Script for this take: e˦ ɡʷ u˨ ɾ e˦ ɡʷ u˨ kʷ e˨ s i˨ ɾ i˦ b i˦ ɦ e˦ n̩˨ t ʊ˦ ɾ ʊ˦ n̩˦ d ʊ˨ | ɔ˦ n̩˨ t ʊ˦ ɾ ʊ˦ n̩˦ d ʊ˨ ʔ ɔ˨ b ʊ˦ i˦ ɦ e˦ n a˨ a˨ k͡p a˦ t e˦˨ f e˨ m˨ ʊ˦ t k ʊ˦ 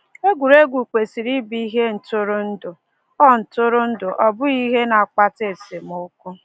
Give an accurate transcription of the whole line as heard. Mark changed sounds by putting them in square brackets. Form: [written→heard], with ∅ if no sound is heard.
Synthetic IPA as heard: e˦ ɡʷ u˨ ɾ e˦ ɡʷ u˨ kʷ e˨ s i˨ ɾ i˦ b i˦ ɦ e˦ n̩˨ t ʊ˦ ɾ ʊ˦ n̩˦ d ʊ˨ | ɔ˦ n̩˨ t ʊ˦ ɾ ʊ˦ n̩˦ d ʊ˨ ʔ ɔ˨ b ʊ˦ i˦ ɦ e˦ n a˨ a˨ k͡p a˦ t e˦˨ [f→s] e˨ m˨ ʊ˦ [t→∅] k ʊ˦